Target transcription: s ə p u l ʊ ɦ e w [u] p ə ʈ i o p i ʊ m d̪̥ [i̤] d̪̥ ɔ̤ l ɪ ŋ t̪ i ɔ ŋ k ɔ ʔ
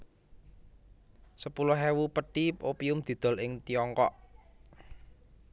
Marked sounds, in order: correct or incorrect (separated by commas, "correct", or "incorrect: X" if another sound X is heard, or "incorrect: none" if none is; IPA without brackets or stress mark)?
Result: correct, correct